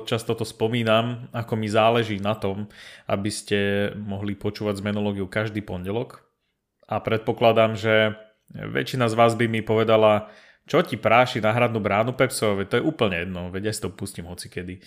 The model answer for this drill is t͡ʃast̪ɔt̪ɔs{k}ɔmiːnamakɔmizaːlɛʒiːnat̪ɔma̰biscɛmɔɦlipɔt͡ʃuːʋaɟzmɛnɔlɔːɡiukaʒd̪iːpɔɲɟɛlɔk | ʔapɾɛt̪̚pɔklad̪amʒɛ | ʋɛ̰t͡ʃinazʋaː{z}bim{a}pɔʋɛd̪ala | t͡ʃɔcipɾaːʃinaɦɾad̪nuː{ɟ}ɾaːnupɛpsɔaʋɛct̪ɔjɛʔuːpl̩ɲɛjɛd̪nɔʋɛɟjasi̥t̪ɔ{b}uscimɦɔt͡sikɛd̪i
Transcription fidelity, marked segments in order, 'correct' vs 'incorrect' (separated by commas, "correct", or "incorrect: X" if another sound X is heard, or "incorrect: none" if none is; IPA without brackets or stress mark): incorrect: p, correct, incorrect: i, incorrect: b, incorrect: p